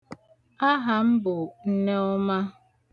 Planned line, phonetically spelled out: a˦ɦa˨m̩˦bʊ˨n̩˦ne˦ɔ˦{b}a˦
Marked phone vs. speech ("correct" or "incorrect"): incorrect